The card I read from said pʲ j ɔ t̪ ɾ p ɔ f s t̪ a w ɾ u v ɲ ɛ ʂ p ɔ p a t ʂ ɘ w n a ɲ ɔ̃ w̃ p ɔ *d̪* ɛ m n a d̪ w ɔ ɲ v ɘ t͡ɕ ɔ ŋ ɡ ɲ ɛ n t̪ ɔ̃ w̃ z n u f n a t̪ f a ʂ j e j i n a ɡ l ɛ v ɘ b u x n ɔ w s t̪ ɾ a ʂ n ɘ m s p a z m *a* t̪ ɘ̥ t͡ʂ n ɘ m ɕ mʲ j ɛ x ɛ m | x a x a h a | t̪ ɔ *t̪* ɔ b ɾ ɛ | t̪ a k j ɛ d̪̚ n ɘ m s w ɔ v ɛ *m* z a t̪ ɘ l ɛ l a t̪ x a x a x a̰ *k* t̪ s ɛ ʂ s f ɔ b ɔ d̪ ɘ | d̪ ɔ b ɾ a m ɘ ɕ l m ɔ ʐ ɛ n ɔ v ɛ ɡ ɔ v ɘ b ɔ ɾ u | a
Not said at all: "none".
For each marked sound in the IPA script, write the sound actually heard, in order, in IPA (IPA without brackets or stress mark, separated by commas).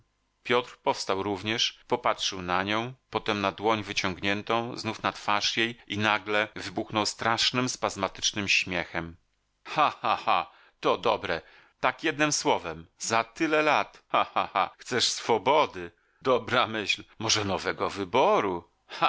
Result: t̪, a, d̪, m, x